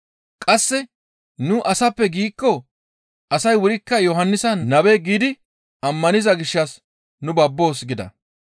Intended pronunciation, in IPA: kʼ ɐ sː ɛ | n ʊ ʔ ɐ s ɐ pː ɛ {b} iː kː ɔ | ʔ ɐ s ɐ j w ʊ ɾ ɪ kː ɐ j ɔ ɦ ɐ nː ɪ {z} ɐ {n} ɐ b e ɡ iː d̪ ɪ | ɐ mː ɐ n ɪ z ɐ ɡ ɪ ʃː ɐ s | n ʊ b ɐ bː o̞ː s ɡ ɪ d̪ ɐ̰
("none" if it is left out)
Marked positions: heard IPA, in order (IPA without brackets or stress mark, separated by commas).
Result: ɡ, s, n